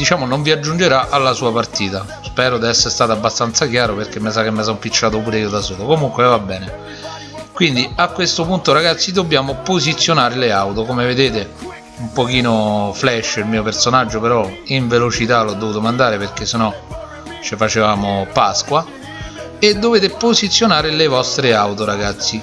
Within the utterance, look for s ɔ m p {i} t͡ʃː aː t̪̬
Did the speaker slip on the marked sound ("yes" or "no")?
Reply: no